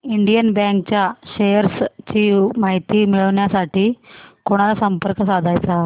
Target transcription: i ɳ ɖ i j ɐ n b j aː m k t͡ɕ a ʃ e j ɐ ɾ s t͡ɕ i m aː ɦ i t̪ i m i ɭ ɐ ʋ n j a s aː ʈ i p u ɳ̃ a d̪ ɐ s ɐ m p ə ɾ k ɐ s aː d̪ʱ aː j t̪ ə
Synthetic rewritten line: i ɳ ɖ i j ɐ n b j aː ŋ k t͡ɕ a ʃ e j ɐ ɾ s t͡ɕ i m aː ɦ i t̪ i m i ɭ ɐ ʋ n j a s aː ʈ i k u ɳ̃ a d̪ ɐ s ɐ m p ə ɾ k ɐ s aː d̪ʱ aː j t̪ a